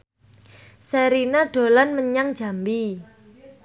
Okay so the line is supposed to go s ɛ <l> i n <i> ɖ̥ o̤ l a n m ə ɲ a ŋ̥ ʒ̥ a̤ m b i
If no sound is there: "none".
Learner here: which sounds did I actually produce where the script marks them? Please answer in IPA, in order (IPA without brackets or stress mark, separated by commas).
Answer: ɾ, a